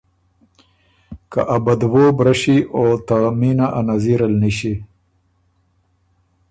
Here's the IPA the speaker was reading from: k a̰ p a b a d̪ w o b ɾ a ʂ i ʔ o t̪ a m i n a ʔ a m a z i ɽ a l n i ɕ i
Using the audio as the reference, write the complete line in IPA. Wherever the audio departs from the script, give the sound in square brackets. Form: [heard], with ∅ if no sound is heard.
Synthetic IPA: k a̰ [ʔ] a b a d̪ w o b ɾ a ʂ i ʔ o t̪ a m i n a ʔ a [n] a z i [ɾ] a l n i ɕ i

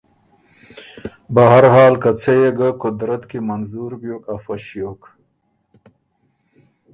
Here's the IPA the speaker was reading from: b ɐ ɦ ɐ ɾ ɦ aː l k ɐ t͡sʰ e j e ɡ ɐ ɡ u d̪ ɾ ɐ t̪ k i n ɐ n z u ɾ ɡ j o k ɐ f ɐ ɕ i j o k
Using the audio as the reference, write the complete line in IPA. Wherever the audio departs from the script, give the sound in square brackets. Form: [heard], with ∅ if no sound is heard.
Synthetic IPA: b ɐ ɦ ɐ ɾ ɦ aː l k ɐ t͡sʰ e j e ɡ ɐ [k] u d̪ ɾ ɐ t̪ k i [m] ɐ n z u ɾ [b] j o k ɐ f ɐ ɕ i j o k

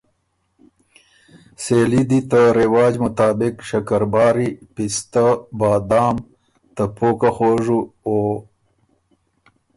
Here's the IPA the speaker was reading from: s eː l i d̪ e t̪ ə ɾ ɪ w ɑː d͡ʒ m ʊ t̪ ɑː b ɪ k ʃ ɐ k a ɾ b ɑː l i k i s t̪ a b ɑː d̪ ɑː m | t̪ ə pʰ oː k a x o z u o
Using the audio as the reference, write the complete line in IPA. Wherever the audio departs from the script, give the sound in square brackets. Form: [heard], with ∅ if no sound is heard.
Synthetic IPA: s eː l i d̪ [i] t̪ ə ɾ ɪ w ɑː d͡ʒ m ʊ t̪ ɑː b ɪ k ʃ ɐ k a ɾ b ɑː [ɾ] i [p] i s t̪ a b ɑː d̪ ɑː m | t̪ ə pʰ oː k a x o [ʐ] u o

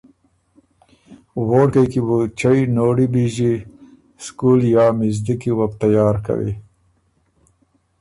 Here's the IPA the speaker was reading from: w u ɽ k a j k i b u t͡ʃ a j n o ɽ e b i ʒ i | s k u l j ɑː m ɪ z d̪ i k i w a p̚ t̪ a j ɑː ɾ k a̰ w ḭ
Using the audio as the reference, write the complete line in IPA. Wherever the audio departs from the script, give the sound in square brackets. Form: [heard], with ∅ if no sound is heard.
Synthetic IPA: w [o] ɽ k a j k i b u t͡ʃ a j n o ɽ [i] b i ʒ i | s k u l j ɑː m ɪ z d̪ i k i w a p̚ t̪ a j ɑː ɾ k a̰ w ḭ

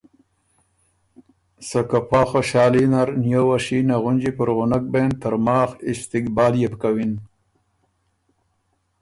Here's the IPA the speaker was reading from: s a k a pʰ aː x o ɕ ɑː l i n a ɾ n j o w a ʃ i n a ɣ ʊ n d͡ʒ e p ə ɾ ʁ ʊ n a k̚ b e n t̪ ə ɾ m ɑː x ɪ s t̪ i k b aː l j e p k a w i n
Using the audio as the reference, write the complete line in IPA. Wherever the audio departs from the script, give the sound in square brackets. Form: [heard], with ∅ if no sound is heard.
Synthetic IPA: s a k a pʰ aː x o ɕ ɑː l i n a ɾ n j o w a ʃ i n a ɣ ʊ n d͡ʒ [i] p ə ɾ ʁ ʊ n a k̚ b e n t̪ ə ɾ m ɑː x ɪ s t̪ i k b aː l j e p k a w i n

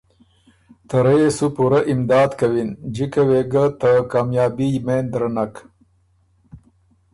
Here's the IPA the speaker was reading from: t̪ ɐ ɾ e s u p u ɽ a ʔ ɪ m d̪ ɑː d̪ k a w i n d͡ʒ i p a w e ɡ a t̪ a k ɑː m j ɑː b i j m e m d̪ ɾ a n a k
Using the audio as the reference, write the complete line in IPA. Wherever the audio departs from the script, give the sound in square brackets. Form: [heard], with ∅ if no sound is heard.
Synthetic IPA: t̪ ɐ ɾ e s u p u [ɾ] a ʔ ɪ m d̪ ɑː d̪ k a w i n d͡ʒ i [k] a w e ɡ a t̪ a k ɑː m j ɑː b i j m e [n] d̪ ɾ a n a k

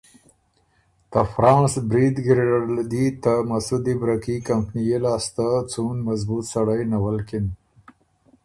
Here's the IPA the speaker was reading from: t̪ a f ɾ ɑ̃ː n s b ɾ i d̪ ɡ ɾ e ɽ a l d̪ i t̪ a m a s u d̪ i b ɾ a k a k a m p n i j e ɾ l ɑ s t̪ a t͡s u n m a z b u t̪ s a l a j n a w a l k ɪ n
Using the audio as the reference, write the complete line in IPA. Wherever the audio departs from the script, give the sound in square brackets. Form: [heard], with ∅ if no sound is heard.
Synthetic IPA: t̪ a f ɾ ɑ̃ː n s b ɾ i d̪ ɡ ɾ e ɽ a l d̪ i t̪ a m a s u d̪ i b ɾ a k [i] k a m p n i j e [∅] l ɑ s t̪ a t͡s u n m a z b u t̪ s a [ɽ] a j n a w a l k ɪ n

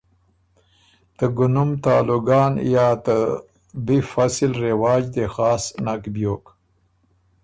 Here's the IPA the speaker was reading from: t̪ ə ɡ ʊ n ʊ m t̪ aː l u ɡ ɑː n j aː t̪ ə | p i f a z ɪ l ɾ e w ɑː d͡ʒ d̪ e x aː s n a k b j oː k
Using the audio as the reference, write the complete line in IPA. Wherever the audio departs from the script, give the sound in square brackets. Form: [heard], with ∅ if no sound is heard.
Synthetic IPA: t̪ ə ɡ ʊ n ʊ m t̪ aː l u ɡ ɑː n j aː t̪ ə | [b] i f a [s] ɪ l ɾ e w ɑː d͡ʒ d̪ e x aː s n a k b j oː k

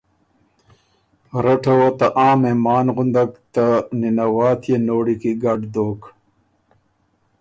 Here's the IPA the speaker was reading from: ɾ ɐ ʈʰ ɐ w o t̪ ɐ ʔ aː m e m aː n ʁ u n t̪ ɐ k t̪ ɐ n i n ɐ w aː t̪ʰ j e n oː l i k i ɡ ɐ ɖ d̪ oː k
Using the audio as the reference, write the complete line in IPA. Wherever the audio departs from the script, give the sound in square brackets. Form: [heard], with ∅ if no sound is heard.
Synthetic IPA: ɾ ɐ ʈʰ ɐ w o t̪ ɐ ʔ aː m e m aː n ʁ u n [d̪] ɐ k t̪ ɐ n i n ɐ w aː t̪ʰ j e n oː [ɽ] i k i ɡ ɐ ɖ d̪ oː k

